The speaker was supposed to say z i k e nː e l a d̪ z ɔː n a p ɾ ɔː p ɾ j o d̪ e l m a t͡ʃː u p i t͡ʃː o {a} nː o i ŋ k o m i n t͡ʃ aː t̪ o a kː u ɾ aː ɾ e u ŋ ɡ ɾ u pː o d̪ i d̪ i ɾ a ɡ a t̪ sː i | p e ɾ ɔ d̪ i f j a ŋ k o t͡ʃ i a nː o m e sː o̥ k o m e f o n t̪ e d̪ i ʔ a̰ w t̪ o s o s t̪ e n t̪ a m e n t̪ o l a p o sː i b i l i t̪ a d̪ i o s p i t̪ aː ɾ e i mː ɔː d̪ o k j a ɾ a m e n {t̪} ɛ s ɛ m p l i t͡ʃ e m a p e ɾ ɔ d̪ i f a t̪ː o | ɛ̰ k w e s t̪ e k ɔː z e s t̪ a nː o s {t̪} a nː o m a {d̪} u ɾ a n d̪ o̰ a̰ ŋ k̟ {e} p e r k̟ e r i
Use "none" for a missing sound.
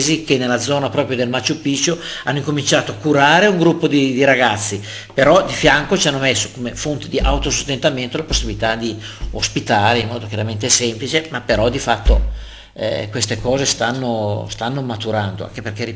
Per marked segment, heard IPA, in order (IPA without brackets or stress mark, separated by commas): a, t̪, t̪, t̪, e